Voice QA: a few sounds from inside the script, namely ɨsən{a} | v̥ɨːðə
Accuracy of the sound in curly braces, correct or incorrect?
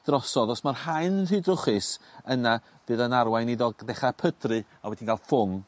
correct